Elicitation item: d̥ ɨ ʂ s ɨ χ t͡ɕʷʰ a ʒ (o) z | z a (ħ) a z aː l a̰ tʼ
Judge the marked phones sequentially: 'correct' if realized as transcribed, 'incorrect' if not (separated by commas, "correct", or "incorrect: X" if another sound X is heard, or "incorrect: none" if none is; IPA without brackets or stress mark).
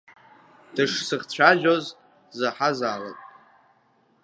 correct, correct